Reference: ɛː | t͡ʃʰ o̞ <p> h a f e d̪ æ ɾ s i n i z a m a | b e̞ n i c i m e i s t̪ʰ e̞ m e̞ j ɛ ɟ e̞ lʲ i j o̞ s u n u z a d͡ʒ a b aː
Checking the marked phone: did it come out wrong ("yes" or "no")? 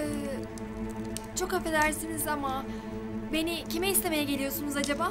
yes